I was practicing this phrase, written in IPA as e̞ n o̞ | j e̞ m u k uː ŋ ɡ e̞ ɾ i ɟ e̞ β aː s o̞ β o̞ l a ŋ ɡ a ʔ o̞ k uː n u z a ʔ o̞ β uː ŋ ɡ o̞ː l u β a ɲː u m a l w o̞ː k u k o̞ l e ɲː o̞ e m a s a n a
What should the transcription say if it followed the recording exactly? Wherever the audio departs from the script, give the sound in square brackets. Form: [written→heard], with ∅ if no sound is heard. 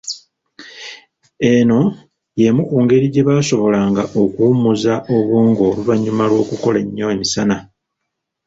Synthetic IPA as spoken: e̞ n o̞ | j e̞ m u k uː ŋ ɡ e̞ ɾ i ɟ e̞ β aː s o̞ β o̞ l a ŋ ɡ a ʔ o̞ k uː [n→m] u z a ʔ o̞ β uː ŋ ɡ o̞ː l u β a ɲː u m a l w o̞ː k u k o̞ l e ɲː o̞ e m [a→i] s a n a